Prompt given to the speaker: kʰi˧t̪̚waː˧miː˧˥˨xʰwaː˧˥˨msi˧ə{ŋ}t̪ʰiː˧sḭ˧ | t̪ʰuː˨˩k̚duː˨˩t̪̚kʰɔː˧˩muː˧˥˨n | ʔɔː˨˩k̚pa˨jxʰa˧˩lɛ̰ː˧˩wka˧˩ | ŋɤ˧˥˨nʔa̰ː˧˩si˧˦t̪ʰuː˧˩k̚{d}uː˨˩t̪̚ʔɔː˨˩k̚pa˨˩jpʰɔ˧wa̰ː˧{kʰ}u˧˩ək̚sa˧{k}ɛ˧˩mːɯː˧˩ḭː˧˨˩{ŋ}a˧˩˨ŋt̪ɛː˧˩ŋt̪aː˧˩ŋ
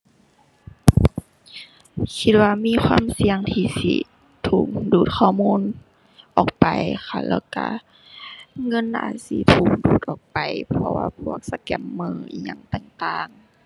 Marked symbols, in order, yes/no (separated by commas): yes, yes, no, yes, no